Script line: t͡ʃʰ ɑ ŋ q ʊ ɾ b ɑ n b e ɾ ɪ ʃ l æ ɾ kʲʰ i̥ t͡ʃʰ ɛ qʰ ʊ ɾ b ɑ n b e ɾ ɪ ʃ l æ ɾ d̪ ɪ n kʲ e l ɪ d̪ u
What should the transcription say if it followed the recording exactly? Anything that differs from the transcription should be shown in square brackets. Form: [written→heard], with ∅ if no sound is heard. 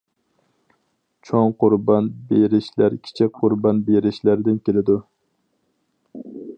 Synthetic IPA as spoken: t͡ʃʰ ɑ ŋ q ʊ ɾ b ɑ n b e ɾ ɪ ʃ l æ ɾ kʲʰ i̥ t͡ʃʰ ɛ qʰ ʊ ɾ b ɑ n b e ɾ ɪ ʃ l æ ɾ d̪ ɪ n kʲ e l ɪ d̪ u